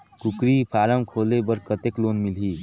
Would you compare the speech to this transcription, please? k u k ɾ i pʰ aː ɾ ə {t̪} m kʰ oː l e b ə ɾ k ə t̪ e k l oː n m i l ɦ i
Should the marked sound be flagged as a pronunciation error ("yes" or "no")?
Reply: yes